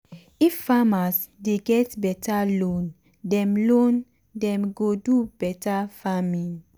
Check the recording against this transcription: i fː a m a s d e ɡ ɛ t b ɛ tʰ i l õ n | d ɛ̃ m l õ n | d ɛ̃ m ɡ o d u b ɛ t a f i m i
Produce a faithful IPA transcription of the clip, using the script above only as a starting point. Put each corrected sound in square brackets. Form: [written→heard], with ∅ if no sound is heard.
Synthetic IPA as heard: i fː a m a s d e ɡ ɛ t b ɛ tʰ [i→a] l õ n | d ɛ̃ m l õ n | d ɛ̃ m ɡ o d u b ɛ t a f [i→a] m i